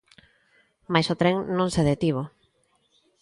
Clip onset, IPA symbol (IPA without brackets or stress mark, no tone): m